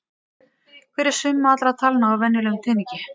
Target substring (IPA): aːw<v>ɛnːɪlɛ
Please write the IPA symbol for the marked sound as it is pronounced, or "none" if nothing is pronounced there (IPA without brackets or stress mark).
v